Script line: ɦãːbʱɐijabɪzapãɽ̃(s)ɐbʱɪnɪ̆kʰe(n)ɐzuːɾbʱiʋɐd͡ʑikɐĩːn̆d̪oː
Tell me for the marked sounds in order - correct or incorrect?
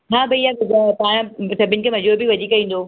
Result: correct, incorrect: m

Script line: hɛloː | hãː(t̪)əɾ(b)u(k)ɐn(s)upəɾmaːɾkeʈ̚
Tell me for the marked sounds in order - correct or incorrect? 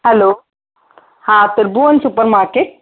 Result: correct, correct, incorrect: none, correct

